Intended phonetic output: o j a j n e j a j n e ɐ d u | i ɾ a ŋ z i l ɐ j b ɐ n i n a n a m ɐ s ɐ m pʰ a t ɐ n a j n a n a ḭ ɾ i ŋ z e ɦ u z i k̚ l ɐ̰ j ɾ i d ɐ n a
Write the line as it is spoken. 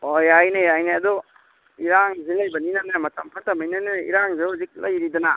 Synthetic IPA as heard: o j a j n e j a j n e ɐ d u | i ɾ a ŋ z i l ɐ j b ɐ n i n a n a m ɐ t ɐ m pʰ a t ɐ m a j n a n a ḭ ɾ a ŋ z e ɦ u z i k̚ l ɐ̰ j ɾ i d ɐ n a

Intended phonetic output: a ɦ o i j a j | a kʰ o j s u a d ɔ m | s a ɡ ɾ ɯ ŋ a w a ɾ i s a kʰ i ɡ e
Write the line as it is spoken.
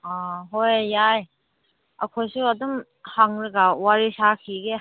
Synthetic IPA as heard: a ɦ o j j a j | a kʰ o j s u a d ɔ m | h a ŋ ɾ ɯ ɡ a w a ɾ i s a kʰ i ɡ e

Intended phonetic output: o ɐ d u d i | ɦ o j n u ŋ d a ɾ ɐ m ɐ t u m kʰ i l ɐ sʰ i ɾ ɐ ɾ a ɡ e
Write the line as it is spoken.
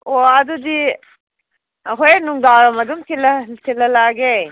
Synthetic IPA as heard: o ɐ d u d i | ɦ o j n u ŋ d a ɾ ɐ m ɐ d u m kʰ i l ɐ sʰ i l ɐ l a ɡ e

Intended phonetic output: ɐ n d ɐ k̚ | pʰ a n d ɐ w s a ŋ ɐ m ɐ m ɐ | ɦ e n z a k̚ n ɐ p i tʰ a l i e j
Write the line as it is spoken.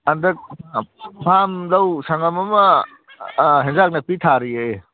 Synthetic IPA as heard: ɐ n d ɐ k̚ | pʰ a m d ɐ w s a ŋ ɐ m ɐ m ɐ | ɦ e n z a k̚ n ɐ p i tʰ a ɾ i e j

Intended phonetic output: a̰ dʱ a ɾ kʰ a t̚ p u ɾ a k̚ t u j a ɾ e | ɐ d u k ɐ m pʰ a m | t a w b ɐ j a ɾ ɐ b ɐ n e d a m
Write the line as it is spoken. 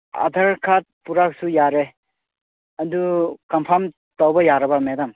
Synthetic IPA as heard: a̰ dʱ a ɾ kʰ a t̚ p u ɾ a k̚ s u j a ɾ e | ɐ d u k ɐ m pʰ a m | t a w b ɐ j a ɾ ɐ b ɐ m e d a m

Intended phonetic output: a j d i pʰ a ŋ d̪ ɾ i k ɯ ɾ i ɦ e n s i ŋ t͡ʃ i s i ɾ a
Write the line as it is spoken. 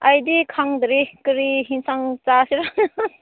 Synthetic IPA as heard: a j d i kʰ a ŋ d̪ ɾ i k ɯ ɾ i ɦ i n s a ŋ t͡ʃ a s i ɾ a

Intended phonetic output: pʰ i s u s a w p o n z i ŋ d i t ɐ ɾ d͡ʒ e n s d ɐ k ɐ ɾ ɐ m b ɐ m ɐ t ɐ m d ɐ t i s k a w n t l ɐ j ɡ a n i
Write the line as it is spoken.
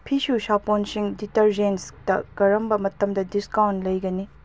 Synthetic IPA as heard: pʰ i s u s a p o n s i ŋ d i t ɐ ɾ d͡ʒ e n s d ɐ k ɐ ɾ ɐ m b ɐ m ɐ t ɐ m d ɐ d i s k a w n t l ɐ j ɡ ɐ n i

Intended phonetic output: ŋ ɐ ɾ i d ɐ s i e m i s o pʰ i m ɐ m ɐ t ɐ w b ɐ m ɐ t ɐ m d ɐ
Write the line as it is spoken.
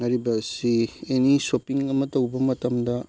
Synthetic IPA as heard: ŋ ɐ ɾ i b ɐ s i e n i s o p i ŋ ɐ m ɐ t ɐ w b ɐ m ɐ t ɐ m d ɐ

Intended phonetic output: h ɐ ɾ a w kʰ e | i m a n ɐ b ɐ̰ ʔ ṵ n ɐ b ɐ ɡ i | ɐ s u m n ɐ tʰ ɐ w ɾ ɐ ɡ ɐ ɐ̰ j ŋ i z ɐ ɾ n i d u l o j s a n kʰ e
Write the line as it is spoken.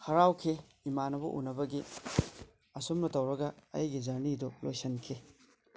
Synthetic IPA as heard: h ɐ ɾ a w kʰ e | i m a n ɐ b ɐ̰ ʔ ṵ n ɐ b ɐ ɡ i | ɐ s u m n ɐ t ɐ w ɾ ɐ ɡ ɐ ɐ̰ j ɡ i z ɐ ɾ n i d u l o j s ɐ n kʰ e

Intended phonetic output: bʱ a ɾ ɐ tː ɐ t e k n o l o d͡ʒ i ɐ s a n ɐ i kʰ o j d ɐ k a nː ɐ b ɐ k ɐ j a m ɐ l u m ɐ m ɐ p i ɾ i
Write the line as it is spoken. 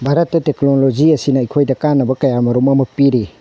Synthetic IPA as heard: bʱ a ɾ ɐ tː ɐ t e k n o l o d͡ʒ i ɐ s i n ɐ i kʰ o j d ɐ k a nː ɐ b ɐ k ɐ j a m ɐ ɾ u m ɐ m ɐ p i ɾ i

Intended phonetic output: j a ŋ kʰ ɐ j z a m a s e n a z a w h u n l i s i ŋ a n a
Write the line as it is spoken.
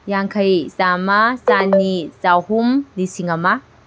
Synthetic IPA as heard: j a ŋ kʰ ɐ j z a m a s a n i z a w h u m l i s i ŋ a m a

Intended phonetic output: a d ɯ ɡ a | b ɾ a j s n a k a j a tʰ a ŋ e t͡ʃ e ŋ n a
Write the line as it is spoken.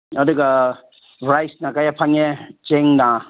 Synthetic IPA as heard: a d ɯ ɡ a | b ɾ a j s n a k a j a pʰ a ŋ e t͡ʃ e ŋ n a

